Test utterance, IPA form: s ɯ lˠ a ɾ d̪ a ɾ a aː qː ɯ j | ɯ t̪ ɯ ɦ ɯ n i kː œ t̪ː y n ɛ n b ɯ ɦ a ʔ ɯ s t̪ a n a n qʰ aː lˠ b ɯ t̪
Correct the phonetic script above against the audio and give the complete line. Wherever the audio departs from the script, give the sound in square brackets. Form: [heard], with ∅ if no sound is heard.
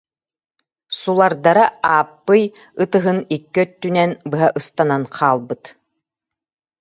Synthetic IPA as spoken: s [u] lˠ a ɾ d̪ a ɾ a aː [pː] ɯ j | ɯ t̪ ɯ ɦ ɯ n i kː œ t̪ː y n ɛ n b ɯ ɦ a ʔ ɯ s t̪ a n a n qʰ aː lˠ b ɯ t̪

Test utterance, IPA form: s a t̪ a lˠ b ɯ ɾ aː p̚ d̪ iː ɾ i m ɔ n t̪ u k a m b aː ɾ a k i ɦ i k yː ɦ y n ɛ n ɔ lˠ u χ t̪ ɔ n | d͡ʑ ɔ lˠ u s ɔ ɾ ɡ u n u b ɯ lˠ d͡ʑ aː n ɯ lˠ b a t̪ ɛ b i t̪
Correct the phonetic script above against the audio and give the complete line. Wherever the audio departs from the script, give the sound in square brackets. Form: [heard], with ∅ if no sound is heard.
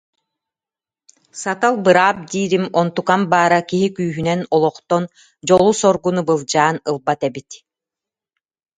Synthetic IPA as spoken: s a t̪ a lˠ b ɯ ɾ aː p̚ d̪ iː ɾ i m ɔ n t̪ u k a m b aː ɾ a k i ɦ i k yː ɦ y n ɛ n ɔ lˠ [ɔ] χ t̪ ɔ n | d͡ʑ ɔ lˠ u s ɔ ɾ ɡ u n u b ɯ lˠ d͡ʑ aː n ɯ lˠ b a t̪ ɛ b i t̪

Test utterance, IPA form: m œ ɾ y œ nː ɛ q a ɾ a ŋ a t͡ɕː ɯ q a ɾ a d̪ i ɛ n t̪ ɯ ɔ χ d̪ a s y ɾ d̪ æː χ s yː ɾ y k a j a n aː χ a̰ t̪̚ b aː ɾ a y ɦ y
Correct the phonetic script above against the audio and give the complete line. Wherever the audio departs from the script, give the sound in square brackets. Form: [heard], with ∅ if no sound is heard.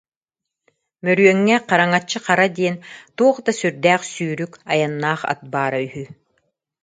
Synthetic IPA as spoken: m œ ɾ y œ [ŋː] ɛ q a ɾ a ŋ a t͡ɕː ɯ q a ɾ a d̪ i ɛ n t̪ [u] ɔ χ d̪ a s y ɾ d̪ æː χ s yː ɾ y k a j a [nː] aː χ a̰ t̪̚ b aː ɾ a y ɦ y

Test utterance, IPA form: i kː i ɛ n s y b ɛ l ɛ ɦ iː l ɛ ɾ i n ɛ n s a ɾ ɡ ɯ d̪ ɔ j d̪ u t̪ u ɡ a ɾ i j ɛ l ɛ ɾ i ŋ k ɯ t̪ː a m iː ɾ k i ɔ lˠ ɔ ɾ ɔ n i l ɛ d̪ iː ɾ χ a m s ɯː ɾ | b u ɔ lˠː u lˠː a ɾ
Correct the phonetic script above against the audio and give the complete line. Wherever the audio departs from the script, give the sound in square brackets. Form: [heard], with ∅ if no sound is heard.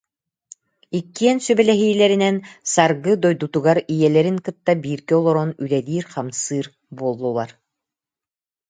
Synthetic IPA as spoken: i kː i ɛ n s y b ɛ l ɛ ɦ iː l ɛ ɾ i n ɛ n s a ɾ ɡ ɯ d̪ ɔ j d̪ u t̪ u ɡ a ɾ i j ɛ l ɛ ɾ i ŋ k ɯ t̪ː a [b] iː ɾ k i ɔ lˠ ɔ ɾ ɔ n [y] l ɛ d̪ iː ɾ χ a m s ɯː ɾ | b u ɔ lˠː u [lˠ] a ɾ

